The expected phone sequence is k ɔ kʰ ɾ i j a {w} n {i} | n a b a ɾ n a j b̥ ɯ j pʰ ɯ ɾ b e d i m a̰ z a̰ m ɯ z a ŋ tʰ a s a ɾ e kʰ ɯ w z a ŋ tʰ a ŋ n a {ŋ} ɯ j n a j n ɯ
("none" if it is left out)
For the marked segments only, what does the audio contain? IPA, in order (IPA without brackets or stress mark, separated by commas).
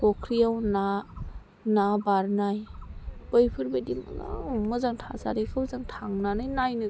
w, a, n